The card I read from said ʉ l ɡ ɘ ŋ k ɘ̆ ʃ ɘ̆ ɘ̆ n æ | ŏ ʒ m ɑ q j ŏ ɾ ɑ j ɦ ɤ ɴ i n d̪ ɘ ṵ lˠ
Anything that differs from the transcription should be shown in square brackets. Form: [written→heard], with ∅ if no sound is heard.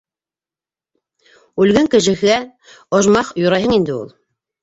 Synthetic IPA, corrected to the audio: ʉ l ɡ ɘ ŋ k ɘ̆ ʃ ɘ̆ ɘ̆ [n→∅] æ | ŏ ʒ m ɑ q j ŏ ɾ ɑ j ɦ ɤ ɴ i n d̪ ɘ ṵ lˠ